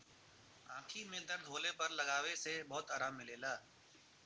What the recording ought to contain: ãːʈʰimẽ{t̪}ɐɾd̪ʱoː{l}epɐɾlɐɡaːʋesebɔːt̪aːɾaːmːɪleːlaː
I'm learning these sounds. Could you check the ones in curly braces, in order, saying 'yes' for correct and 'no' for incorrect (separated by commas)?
no, yes